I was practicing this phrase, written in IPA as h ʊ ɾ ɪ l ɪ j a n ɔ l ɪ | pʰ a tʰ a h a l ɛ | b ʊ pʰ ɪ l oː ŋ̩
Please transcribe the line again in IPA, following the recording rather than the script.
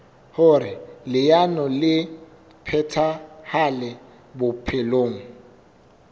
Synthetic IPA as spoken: h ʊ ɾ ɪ l ɪ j a n ɔ l ɪ | pʰ ɛ tʰ a h a l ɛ | b ʊ pʰ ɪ l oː ŋ̩